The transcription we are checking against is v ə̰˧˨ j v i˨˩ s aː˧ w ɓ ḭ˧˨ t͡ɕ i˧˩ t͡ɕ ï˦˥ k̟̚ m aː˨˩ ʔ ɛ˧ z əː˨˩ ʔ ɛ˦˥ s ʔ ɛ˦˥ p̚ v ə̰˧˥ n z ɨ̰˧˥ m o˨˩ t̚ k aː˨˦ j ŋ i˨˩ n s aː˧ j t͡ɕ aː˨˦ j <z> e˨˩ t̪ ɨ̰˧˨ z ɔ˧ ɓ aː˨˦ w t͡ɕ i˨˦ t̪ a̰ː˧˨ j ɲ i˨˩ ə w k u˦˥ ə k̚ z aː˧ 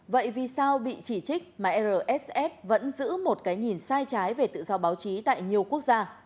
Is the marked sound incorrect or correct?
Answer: incorrect